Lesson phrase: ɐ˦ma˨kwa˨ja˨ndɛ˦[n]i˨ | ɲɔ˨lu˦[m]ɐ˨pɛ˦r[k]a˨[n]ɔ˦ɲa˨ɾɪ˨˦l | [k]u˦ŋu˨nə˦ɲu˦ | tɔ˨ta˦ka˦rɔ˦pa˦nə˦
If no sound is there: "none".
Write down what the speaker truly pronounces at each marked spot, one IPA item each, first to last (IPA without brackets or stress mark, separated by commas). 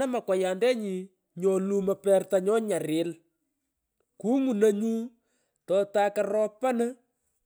ɲ, m, t, ɲ, k